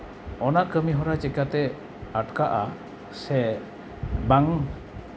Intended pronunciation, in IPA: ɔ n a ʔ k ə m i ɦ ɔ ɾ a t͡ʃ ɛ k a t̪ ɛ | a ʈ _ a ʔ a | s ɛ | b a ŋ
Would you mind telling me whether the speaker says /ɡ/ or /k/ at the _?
k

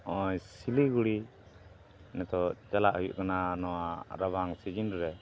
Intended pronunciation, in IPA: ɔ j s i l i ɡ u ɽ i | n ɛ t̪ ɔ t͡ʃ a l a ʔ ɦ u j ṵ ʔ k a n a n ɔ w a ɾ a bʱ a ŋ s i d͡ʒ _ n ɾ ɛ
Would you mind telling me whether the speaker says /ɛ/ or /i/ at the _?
i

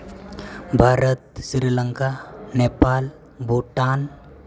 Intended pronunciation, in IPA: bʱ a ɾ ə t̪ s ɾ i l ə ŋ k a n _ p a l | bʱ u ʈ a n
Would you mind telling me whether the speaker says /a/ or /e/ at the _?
e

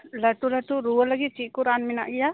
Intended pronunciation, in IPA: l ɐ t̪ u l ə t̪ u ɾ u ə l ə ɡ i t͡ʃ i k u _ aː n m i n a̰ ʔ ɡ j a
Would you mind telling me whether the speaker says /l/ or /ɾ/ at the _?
ɾ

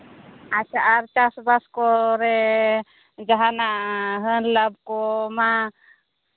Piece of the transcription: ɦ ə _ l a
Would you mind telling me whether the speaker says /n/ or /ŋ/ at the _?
n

